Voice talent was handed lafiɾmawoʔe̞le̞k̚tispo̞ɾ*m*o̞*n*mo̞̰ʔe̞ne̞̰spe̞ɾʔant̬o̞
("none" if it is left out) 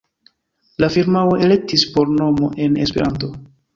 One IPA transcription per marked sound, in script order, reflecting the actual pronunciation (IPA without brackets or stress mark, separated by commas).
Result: n, none